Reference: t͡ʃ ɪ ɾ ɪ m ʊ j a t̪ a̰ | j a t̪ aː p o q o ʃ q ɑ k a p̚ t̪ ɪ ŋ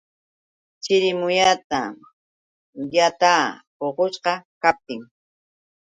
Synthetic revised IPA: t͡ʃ ɪ ɾ ɪ m ʊ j a t̪ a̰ | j a t̪ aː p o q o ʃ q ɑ k a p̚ t̪ ɪ ŋ